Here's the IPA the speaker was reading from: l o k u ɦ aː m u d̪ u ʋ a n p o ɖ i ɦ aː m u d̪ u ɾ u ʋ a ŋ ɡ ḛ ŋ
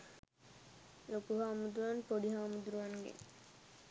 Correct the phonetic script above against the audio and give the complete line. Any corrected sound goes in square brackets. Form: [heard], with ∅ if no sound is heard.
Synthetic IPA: l o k u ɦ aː m u d̪ u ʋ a n p o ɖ i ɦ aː m u d̪ u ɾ u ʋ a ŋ ɡ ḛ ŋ